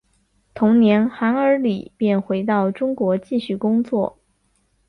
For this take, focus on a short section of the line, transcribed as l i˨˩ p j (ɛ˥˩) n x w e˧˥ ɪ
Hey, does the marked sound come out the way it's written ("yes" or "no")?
yes